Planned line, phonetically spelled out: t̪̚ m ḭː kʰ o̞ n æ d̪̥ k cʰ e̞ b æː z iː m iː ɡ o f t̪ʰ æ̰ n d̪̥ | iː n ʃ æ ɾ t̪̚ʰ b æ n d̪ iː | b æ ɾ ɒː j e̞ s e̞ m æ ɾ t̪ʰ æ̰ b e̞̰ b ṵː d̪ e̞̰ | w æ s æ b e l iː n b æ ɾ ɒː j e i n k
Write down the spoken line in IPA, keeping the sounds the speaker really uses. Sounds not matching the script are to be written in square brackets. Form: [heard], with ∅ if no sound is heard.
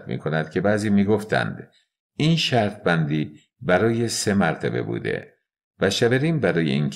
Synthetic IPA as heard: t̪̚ m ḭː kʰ o̞ n æ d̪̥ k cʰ e̞ b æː z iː m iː ɡ o f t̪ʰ æ̰ n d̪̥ | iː n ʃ æ ɾ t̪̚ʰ b æ n d̪ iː | b æ ɾ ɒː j e̞ s e̞ m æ ɾ t̪ʰ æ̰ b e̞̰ b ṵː d̪ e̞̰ | [v] æ [ʃ] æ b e [ɾ] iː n b æ ɾ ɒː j e i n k